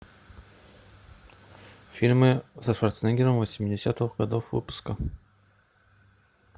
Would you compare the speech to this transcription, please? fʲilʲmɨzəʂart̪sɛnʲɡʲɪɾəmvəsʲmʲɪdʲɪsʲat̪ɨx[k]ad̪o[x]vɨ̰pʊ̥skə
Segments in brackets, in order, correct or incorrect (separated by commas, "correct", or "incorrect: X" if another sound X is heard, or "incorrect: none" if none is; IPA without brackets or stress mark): incorrect: ɡ, incorrect: f